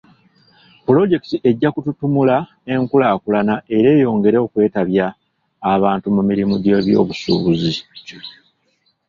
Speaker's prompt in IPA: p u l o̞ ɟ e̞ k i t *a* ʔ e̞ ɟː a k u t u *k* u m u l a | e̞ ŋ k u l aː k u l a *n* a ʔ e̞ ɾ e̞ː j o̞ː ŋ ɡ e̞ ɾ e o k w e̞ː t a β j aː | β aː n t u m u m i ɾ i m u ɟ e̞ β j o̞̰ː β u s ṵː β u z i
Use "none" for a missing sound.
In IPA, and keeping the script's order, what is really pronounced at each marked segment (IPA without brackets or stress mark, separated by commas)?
i, t, n